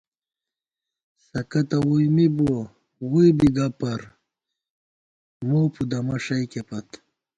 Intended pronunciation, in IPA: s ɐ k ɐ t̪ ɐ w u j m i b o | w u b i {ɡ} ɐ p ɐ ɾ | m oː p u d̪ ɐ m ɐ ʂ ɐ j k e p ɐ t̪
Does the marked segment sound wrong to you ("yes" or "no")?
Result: no